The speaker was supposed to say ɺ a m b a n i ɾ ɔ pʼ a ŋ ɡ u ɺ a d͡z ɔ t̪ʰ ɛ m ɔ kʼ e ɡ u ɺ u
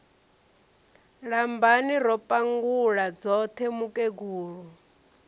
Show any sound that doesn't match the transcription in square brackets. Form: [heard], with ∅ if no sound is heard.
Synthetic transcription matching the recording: ɺ a m b a n i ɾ ɔ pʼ a ŋ ɡ u ɺ a d͡z ɔ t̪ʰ ɛ m [u] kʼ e ɡ [uː] ɺ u

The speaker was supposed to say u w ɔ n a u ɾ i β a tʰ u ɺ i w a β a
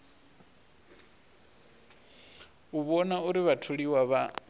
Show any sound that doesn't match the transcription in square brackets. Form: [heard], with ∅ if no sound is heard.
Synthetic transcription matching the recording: u [β] ɔ n a u ɾ i β a tʰ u ɺ i w a β a

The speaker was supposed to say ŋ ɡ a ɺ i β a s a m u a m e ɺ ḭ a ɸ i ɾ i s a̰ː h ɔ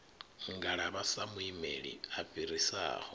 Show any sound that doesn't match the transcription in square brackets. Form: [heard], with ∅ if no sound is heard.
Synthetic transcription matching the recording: ŋ ɡ a ɺ [a] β a s a m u [i] m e ɺ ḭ a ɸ i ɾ i s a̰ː h ɔ

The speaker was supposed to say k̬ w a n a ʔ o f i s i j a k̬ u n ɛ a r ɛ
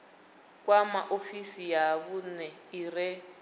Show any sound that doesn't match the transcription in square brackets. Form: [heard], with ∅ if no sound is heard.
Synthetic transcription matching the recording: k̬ w a [m] a ʔ o f i s i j a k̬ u n ɛ [i] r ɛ

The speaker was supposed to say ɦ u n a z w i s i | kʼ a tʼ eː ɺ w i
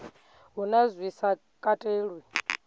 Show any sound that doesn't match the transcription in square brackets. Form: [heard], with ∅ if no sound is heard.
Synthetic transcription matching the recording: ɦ u n a z w i s [a] | kʼ a tʼ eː ɺ w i

